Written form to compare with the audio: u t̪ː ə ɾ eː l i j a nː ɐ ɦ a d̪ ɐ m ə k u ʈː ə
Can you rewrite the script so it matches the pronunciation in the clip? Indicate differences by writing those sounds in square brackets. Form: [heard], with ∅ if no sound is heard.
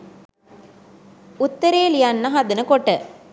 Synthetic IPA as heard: u t̪ː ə ɾ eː l i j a nː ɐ ɦ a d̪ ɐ [n] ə k [o] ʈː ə